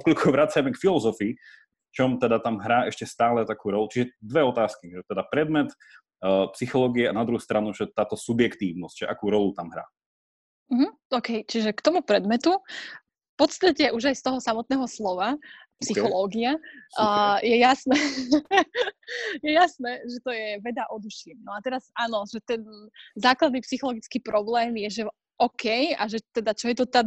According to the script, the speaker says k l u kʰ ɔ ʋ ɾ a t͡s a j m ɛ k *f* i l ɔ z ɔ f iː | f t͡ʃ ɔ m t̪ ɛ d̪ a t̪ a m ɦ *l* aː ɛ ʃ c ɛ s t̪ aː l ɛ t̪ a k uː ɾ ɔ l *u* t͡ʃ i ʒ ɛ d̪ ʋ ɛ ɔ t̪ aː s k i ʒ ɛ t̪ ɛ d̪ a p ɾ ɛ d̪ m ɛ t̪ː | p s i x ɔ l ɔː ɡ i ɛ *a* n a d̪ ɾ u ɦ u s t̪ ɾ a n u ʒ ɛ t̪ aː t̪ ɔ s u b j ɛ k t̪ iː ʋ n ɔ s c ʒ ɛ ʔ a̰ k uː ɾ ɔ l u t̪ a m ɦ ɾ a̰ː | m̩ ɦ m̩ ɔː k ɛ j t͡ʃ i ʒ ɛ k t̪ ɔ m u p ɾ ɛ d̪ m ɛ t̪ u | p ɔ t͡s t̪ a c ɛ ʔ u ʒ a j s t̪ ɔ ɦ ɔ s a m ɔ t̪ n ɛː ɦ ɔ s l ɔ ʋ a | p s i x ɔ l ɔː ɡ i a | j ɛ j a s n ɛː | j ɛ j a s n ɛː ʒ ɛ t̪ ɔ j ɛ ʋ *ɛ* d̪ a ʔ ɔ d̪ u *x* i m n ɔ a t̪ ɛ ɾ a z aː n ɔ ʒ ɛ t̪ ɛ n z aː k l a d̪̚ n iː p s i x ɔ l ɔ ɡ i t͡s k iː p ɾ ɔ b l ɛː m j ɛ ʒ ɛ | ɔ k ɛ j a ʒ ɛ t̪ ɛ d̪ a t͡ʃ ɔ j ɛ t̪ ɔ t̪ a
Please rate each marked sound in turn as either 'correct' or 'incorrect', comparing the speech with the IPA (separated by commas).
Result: correct, incorrect, correct, correct, correct, incorrect